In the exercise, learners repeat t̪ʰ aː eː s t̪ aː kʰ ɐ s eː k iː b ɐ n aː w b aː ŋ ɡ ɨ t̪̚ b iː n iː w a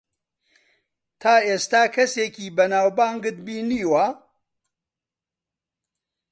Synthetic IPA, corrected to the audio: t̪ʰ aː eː s t̪ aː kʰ ɐ s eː k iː b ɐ n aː w b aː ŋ ɡ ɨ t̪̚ b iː n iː w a